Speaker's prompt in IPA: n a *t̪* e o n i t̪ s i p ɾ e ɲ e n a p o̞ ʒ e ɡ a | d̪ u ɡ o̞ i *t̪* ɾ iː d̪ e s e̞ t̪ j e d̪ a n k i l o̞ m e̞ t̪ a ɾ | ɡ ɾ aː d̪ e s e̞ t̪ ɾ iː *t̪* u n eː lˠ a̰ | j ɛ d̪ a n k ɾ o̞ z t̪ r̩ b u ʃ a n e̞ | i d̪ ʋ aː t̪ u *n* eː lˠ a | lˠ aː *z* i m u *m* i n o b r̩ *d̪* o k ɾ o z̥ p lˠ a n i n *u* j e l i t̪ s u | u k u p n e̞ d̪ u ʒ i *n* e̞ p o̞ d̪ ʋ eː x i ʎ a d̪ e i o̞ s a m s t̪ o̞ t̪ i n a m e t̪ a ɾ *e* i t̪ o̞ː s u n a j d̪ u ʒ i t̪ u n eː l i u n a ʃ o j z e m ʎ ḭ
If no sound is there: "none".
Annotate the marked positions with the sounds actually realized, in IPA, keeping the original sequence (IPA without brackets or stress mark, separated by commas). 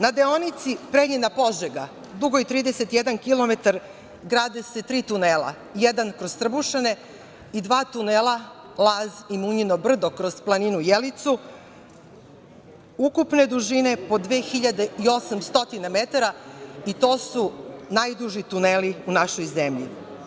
d̪, t̪, t̪, n, z, ɲ, d̪, u, n, a